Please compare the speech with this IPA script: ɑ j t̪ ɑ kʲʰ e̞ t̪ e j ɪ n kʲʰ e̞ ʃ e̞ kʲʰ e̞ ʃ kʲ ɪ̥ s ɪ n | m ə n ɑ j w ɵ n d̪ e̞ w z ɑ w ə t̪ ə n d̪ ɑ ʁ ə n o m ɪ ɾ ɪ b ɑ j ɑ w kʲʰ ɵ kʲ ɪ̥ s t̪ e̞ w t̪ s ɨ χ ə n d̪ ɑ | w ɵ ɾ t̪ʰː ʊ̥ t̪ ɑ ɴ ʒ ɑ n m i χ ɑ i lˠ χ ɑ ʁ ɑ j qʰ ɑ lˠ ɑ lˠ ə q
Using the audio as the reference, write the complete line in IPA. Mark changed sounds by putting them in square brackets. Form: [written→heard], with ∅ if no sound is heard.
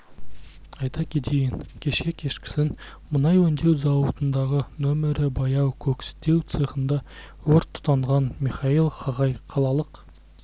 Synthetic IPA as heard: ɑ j t̪ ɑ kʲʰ e̞ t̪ e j ɪ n kʲʰ e̞ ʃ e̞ kʲʰ e̞ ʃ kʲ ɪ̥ s ɪ n | m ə n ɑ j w ɵ n d̪ e̞ w z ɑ w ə t̪ ə n d̪ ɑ ʁ ə n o m ɪ ɾ ɪ b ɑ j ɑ w kʲʰ ɵ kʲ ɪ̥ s t̪ e̞ w t̪ s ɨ χ ə n d̪ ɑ | w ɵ ɾ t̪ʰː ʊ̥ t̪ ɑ ɴ [ʒ→ʁ] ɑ n m i χ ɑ i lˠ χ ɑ ʁ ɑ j qʰ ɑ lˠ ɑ lˠ ə q